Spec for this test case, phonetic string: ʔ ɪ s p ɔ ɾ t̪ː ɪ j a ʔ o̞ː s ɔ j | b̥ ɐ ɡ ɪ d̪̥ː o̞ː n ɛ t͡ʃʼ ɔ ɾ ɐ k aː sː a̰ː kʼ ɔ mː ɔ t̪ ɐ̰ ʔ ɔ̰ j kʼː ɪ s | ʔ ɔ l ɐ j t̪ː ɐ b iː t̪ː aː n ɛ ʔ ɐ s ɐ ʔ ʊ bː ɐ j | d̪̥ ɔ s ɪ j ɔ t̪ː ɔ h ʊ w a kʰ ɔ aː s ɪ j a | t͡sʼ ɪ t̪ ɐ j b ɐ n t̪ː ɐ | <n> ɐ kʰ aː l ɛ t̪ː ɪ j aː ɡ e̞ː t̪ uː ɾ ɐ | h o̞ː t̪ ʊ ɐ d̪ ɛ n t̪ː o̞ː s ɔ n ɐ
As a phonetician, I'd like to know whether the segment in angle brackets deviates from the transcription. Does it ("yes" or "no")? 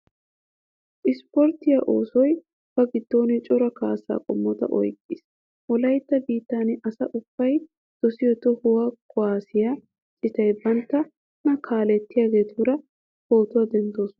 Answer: no